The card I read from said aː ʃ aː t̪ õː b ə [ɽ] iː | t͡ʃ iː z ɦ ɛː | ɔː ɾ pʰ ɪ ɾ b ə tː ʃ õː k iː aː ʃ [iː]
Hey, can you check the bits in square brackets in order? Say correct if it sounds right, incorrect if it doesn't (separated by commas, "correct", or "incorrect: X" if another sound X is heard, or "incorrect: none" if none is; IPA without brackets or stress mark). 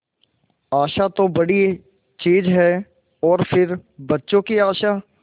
correct, incorrect: aː